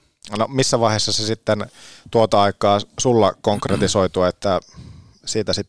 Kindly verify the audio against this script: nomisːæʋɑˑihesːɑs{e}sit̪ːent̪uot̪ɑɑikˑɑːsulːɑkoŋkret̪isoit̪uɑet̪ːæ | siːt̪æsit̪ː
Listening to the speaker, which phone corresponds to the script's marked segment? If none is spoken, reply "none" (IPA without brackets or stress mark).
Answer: e